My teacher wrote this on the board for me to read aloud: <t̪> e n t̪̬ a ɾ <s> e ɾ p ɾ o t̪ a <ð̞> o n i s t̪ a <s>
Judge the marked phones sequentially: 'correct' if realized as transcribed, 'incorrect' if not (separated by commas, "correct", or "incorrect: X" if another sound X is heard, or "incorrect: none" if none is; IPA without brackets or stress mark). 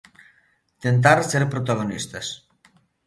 correct, correct, incorrect: ɣ̞, correct